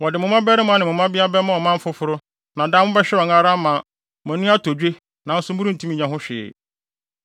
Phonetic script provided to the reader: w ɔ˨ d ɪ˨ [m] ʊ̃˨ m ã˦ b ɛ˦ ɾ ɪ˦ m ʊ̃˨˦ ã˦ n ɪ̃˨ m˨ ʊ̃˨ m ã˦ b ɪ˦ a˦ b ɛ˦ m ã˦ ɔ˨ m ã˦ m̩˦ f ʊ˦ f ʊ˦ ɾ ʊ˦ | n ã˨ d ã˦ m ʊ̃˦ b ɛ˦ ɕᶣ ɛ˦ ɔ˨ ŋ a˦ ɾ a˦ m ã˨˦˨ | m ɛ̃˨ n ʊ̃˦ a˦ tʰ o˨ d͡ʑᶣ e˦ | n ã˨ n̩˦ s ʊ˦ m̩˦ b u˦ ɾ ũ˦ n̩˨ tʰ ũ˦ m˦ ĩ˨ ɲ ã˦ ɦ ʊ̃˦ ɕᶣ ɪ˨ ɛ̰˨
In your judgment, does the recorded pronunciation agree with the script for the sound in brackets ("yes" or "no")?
yes